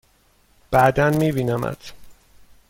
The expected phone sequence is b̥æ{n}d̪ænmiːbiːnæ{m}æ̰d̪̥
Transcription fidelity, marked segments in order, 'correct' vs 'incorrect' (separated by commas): incorrect, correct